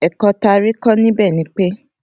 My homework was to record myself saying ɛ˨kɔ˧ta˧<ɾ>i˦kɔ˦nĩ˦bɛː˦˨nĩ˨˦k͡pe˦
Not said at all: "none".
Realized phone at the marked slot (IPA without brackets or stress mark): ɾ